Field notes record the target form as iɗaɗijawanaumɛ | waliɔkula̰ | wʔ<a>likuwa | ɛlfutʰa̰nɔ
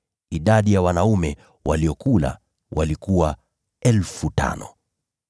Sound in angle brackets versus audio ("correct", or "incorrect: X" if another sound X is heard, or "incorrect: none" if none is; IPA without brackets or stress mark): correct